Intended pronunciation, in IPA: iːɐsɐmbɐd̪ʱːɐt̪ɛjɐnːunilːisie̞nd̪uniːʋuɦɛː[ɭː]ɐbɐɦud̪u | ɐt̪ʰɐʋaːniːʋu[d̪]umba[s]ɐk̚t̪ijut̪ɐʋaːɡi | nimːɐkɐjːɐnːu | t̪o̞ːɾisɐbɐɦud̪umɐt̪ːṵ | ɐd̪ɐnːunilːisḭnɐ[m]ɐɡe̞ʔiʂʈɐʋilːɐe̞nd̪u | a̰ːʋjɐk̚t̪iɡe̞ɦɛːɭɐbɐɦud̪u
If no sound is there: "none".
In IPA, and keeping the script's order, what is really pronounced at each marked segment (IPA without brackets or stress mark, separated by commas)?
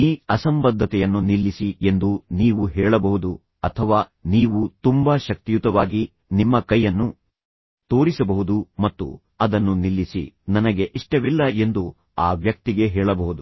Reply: ɭ, t̪, ʃ, n